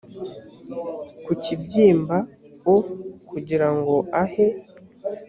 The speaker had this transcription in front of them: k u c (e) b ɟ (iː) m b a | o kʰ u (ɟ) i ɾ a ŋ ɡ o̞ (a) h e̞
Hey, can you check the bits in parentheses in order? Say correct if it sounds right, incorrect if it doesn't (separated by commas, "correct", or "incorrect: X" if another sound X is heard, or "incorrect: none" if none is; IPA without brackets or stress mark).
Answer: incorrect: i, correct, correct, correct